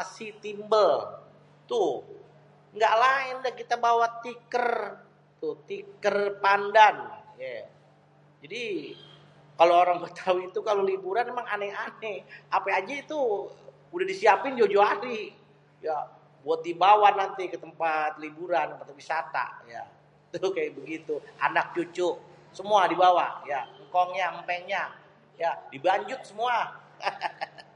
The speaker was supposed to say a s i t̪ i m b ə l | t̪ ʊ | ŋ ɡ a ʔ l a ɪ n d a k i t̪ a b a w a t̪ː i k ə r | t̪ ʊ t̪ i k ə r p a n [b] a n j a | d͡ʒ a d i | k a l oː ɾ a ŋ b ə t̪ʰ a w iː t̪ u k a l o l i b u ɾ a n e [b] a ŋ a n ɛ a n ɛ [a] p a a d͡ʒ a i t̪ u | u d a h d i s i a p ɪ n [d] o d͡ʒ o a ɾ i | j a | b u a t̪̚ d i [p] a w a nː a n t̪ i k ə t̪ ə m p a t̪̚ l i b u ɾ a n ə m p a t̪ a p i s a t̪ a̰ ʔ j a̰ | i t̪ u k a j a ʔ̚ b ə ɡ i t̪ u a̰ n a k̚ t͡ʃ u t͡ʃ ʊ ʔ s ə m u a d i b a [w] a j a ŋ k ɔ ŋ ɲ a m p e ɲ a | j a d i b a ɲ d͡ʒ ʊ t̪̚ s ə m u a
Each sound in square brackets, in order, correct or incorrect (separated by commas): incorrect, incorrect, correct, incorrect, incorrect, correct